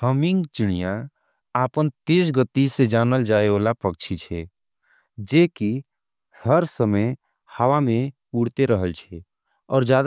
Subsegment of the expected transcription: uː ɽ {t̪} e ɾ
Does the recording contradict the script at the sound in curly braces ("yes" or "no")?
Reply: no